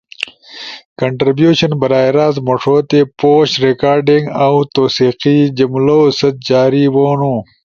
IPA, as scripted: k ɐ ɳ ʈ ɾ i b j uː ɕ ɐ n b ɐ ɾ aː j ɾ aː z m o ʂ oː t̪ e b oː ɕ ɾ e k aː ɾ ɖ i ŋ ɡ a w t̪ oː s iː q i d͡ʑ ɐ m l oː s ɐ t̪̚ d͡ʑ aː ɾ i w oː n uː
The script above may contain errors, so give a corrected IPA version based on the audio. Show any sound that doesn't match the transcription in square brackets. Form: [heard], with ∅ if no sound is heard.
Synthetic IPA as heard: k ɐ ɳ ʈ ɾ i b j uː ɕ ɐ n b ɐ ɾ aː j ɾ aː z m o ʂ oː t̪ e [p] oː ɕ ɾ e k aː ɾ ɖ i ŋ ɡ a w t̪ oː s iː q i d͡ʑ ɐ m l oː s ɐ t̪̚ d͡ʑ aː ɾ i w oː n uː